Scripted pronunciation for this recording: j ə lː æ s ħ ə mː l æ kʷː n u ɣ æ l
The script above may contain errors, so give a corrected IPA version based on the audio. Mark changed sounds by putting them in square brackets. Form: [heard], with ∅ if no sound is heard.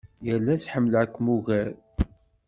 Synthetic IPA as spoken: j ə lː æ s ħ ə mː l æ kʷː [m] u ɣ æ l